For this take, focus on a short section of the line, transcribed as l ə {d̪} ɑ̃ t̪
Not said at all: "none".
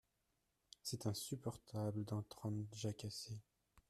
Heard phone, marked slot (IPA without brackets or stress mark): d̪